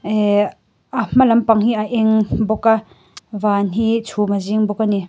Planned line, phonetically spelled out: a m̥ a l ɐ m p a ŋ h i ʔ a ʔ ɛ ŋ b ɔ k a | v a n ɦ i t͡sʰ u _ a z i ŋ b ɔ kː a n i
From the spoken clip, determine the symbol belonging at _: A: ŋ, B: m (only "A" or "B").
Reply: B